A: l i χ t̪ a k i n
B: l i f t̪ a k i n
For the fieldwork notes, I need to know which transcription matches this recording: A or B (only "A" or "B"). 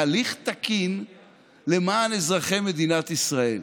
A